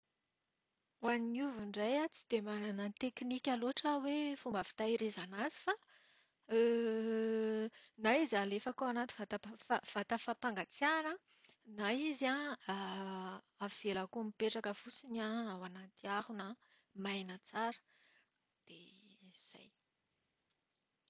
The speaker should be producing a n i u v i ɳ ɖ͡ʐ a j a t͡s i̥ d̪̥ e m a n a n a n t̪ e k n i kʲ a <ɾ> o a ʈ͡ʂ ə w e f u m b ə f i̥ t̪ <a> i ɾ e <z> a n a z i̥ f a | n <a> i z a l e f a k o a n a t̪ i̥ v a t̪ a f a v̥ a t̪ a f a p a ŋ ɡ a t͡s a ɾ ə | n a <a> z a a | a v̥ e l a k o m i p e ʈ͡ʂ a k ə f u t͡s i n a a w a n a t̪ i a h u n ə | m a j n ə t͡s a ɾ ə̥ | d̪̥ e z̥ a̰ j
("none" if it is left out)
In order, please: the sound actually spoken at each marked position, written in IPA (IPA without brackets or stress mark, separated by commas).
l, a, z, a, i